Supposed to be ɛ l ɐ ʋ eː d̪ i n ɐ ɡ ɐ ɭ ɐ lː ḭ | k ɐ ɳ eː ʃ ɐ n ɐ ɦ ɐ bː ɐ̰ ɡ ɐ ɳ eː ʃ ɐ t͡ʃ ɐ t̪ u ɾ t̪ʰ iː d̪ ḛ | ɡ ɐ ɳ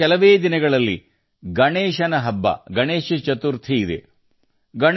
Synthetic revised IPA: ɛ l ɐ ʋ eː d̪ i n ɐ ɡ ɐ ɭ ɐ lː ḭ | ɡ ɐ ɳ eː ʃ ɐ n ɐ ɦ ɐ bː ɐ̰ ɡ ɐ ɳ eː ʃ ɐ t͡ʃ ɐ t̪ u ɾ t̪ʰ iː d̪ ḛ | ɡ ɐ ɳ